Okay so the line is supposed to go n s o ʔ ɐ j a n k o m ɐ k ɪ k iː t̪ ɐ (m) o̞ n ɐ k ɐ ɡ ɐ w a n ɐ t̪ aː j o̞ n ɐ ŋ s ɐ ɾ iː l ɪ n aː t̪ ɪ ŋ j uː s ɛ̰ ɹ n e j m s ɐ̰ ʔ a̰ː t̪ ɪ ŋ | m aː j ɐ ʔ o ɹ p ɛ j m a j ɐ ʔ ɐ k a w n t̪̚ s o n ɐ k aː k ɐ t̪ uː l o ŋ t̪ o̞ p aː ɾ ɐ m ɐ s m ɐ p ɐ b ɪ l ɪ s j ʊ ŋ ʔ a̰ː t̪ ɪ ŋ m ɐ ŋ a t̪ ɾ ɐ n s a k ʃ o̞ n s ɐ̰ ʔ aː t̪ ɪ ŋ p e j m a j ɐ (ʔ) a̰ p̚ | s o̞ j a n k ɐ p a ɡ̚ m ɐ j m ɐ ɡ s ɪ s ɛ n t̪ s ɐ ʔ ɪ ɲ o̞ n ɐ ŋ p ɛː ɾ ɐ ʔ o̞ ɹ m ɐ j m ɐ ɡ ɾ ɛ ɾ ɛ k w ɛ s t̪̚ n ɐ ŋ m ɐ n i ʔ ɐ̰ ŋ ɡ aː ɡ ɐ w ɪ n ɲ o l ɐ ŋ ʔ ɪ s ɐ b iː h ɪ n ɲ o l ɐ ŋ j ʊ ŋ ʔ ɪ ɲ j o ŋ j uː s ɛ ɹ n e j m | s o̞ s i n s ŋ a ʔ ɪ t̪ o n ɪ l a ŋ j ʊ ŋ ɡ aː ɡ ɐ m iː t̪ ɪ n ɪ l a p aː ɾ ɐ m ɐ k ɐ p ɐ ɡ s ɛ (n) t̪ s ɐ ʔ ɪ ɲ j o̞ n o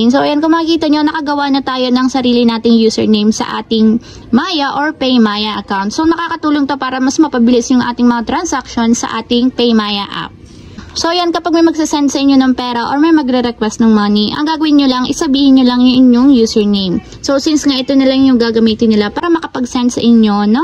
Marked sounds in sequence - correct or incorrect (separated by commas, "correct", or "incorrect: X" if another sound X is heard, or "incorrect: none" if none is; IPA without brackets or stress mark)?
incorrect: ɲ, correct, correct